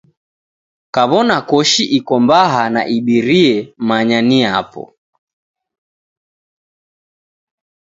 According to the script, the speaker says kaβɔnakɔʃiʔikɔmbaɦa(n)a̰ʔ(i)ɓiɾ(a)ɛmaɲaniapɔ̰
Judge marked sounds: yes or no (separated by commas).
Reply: yes, yes, no